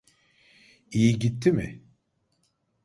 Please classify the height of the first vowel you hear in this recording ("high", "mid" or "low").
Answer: high